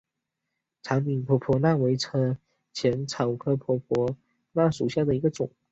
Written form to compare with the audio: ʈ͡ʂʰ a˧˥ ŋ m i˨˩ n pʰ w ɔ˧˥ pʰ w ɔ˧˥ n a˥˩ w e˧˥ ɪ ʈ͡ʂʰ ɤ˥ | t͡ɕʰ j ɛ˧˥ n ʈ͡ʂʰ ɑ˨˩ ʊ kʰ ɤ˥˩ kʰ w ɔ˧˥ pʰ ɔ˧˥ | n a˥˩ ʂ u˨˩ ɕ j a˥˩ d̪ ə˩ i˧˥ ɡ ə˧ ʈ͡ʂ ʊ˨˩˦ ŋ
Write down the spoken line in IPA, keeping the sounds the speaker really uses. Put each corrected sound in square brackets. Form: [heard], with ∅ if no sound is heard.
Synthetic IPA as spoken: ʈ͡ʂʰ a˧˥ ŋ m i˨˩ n pʰ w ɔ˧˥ pʰ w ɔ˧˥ n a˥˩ w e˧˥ ɪ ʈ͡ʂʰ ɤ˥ | t͡ɕʰ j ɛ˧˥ n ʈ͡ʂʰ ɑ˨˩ ʊ kʰ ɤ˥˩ [pʰ] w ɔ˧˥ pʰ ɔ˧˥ | n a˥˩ ʂ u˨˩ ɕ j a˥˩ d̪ ə˩ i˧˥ ɡ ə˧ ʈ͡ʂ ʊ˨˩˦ ŋ